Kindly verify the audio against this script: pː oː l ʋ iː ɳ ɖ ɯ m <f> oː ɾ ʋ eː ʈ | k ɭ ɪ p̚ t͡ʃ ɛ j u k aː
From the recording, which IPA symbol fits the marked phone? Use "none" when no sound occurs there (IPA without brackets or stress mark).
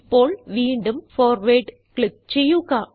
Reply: f